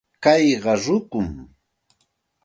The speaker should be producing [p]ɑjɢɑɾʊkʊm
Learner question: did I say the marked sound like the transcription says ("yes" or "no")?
no